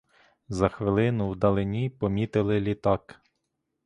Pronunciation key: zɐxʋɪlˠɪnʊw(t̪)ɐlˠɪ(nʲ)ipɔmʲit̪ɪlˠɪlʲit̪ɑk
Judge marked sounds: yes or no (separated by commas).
no, yes